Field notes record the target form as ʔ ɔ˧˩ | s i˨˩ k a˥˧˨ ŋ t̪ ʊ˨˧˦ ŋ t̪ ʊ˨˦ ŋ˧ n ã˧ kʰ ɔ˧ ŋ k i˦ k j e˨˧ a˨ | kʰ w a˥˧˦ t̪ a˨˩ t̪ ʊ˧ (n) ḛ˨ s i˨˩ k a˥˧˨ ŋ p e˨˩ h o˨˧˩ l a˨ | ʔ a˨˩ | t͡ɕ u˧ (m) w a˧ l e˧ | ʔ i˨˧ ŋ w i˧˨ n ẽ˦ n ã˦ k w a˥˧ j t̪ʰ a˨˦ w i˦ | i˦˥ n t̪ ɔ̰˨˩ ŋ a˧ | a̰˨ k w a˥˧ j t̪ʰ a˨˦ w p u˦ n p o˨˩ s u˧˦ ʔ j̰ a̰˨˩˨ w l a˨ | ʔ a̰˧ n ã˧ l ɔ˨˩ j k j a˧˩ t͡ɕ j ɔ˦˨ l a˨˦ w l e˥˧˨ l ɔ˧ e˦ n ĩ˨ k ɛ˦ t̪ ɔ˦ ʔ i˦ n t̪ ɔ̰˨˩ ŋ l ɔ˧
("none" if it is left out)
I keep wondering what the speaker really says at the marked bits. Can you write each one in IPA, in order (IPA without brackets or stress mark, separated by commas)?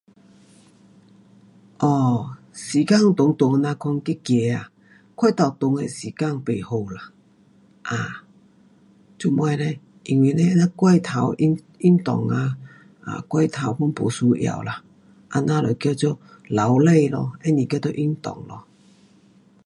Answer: ŋ, m